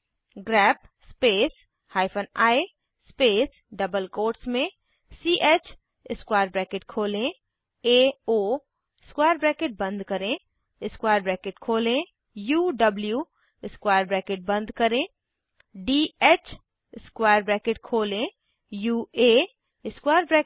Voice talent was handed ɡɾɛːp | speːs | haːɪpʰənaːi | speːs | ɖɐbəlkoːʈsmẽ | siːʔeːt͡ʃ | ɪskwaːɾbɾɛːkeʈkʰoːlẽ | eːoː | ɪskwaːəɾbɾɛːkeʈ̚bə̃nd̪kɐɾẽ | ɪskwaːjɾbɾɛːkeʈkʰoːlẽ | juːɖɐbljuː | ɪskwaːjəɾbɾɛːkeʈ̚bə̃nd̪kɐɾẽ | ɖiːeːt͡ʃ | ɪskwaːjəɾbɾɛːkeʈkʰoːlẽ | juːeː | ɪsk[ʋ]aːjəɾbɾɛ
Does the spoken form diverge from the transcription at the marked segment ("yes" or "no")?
yes